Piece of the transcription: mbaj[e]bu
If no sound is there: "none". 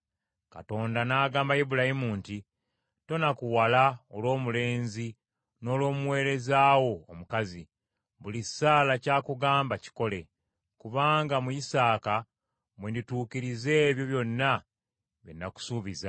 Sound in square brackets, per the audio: i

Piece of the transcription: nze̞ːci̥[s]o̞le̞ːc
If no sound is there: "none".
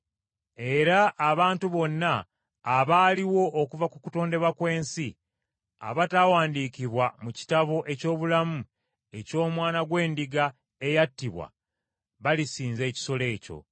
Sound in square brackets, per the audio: s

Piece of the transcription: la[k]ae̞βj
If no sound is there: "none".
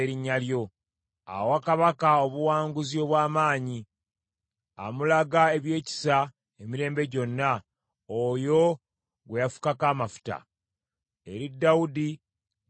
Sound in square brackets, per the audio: ɡ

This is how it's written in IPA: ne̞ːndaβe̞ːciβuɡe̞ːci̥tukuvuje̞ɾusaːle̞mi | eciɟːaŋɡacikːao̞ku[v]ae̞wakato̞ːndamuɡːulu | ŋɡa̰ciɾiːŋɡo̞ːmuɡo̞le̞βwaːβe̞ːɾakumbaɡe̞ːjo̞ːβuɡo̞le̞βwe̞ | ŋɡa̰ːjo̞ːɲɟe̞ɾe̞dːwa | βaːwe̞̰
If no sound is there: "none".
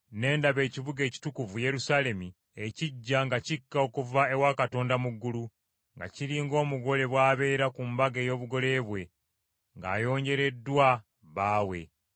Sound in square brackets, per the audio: v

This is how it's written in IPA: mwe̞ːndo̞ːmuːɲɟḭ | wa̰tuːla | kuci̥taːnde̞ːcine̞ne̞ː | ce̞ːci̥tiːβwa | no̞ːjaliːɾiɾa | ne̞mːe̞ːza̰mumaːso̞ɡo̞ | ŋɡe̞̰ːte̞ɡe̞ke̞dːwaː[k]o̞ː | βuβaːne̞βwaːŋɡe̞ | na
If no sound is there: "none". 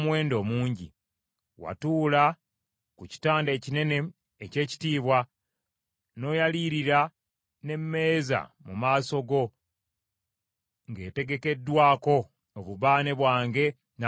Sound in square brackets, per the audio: k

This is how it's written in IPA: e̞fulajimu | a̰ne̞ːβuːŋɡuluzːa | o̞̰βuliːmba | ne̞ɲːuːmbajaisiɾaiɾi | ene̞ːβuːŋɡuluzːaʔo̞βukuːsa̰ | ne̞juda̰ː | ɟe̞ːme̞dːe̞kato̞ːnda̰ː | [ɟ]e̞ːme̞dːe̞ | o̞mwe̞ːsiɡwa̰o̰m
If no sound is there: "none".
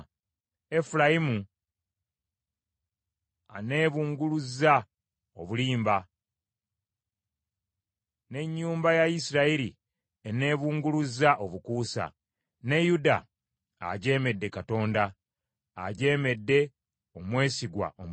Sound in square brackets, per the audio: ɟ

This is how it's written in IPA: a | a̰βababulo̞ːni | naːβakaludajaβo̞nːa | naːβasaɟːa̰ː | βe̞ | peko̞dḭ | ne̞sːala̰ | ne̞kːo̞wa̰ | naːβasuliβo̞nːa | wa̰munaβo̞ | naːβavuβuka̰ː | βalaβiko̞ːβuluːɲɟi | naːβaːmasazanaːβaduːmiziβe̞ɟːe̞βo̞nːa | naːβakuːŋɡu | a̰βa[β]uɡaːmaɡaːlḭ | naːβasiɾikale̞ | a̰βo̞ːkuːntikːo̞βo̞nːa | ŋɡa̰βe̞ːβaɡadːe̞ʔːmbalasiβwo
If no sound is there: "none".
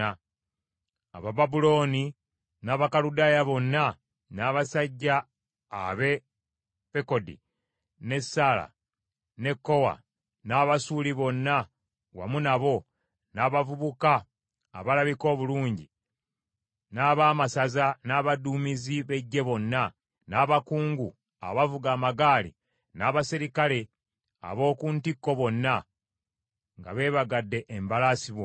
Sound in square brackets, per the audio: v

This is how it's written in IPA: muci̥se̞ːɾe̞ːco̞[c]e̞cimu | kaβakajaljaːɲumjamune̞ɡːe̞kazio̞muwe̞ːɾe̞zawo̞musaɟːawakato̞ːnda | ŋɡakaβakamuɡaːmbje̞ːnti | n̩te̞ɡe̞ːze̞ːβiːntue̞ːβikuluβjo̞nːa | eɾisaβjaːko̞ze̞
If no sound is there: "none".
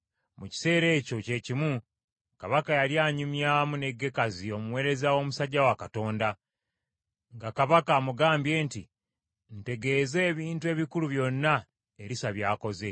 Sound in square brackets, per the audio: c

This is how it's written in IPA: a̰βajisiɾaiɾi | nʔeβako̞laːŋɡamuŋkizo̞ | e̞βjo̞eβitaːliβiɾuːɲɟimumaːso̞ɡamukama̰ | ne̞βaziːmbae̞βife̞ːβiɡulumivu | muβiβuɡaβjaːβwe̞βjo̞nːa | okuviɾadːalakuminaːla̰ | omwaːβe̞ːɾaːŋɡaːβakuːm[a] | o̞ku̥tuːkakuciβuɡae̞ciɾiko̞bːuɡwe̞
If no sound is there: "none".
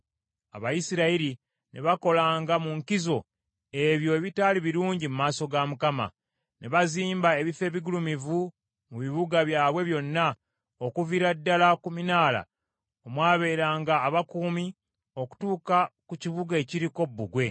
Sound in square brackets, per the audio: i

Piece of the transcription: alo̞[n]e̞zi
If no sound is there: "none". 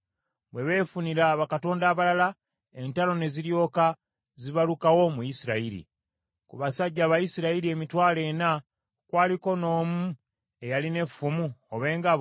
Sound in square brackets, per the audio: n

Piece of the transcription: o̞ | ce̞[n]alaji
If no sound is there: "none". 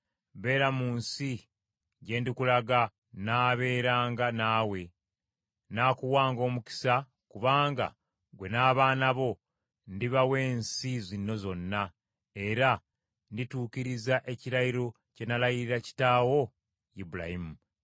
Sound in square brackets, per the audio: n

